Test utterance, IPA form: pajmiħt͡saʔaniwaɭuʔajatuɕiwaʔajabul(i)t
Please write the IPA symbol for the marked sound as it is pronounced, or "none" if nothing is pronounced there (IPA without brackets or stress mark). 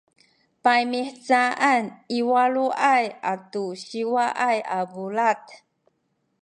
a